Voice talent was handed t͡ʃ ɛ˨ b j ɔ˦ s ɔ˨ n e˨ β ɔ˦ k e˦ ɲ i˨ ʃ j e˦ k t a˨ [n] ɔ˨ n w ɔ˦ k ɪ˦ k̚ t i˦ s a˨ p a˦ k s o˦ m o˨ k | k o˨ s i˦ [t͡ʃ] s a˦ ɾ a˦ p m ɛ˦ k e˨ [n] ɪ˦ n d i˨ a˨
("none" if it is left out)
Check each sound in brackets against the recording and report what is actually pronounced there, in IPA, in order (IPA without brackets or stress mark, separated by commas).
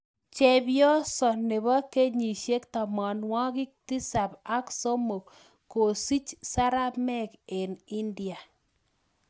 m, t͡ʃ, n